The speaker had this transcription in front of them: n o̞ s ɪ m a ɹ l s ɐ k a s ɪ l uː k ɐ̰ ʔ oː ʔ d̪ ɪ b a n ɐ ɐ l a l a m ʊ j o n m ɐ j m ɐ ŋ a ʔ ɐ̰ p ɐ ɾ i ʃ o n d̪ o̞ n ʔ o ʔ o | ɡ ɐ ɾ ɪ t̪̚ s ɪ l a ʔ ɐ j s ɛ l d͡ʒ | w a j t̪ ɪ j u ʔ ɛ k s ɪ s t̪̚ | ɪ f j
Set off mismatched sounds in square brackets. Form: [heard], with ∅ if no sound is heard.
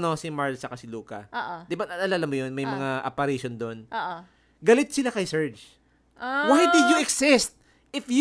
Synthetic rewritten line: n o̞ s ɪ m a ɹ l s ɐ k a s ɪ l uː k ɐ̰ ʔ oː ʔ d̪ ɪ b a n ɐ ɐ l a l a m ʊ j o n m ɐ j m ɐ ŋ a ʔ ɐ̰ p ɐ ɾ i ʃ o n d̪ o̞ n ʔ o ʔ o | ɡ ɐ [l] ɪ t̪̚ s ɪ l a [k] ɐ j s ɛ [ɹ] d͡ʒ | w a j [d̪] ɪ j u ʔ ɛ k s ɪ s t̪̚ | ɪ f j